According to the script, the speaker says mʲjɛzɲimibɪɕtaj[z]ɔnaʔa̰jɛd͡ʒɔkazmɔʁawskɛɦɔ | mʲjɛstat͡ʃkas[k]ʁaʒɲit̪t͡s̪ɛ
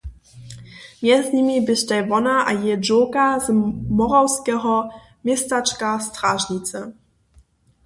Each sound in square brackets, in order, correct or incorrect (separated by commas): incorrect, incorrect